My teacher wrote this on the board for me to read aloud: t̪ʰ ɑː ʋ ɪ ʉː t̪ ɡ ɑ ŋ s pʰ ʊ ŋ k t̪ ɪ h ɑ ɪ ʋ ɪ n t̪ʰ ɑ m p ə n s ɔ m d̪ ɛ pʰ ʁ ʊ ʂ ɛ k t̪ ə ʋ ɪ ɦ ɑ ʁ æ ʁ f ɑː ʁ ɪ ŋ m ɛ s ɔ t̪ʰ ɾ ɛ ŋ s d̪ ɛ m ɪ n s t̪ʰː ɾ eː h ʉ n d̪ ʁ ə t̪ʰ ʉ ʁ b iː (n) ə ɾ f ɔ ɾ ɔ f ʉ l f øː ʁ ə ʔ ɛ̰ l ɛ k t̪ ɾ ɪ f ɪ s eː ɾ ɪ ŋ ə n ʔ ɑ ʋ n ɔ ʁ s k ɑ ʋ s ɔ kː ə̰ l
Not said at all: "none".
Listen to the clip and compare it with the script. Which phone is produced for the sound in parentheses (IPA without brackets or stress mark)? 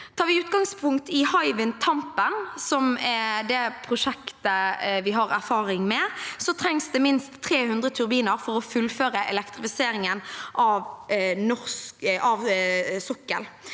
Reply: n